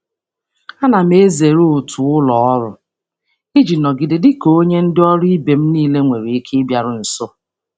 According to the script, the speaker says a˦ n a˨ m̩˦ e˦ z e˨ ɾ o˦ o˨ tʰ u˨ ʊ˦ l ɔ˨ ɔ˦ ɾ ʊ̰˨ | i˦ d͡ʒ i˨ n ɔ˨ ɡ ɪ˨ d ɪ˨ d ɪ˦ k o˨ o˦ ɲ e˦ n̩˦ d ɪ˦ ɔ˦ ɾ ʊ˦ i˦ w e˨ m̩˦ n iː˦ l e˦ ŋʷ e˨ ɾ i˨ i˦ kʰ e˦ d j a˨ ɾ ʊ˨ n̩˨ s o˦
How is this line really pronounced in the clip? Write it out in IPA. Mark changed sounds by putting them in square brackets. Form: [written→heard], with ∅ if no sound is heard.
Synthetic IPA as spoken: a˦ n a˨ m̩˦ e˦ z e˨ ɾ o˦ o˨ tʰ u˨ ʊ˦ l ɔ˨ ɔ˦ ɾ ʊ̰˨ | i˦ d͡ʒ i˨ n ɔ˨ ɡ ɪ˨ d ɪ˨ d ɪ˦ k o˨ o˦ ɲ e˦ n̩˦ d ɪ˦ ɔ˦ ɾ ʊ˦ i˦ [w→b] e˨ m̩˦ n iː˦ l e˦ ŋʷ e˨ ɾ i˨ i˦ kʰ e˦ [d→b] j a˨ ɾ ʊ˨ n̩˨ s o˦